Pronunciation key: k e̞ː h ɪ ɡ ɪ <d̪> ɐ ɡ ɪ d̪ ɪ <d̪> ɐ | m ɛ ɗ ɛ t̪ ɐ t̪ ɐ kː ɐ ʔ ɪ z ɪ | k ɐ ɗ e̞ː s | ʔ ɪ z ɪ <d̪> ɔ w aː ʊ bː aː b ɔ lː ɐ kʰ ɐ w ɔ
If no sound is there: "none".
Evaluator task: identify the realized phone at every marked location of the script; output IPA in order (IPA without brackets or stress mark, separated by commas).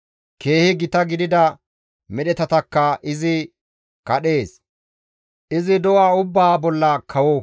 t̪, d̪, d̪